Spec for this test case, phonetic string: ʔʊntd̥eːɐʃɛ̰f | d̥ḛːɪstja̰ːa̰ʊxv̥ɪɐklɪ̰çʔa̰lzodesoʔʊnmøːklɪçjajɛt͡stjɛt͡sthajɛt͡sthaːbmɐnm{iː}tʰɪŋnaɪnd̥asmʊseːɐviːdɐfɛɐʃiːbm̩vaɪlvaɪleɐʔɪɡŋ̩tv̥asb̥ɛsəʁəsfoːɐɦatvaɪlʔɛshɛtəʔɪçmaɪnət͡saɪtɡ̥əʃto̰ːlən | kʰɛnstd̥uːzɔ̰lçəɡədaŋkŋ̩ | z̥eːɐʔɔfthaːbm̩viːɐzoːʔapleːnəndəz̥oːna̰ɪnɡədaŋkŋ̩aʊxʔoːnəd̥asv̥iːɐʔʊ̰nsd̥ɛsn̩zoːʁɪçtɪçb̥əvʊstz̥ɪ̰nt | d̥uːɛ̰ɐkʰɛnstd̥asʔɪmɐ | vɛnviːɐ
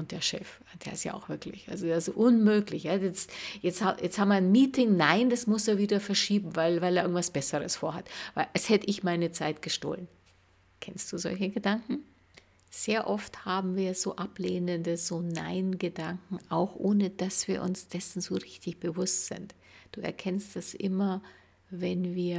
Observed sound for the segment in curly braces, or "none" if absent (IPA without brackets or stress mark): iː